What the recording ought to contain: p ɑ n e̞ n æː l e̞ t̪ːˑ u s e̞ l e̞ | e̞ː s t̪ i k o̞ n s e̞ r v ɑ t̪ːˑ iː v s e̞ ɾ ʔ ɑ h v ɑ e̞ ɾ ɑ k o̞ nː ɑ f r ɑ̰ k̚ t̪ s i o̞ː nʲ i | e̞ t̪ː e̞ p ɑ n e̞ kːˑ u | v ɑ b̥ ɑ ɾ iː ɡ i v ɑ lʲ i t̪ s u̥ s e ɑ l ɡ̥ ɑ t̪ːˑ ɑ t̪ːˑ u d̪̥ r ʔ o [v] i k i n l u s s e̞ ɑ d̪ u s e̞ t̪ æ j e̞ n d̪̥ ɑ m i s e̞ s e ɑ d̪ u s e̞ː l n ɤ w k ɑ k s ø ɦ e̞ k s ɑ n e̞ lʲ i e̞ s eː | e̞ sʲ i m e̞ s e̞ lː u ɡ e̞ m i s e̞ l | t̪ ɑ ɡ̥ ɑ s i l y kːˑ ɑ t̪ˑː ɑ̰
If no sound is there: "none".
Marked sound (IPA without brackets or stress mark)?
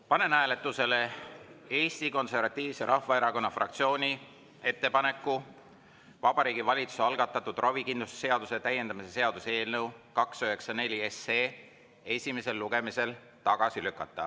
v